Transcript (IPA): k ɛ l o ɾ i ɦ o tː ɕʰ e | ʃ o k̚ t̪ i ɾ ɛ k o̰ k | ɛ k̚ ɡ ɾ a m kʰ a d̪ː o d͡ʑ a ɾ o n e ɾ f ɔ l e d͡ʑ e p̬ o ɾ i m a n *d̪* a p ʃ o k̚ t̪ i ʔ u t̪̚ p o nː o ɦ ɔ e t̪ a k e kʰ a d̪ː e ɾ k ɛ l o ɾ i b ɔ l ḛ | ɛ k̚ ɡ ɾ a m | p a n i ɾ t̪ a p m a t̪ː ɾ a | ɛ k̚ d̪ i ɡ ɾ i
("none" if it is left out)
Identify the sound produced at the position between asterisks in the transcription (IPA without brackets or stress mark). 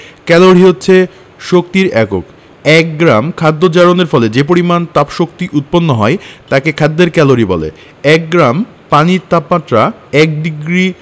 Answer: t̪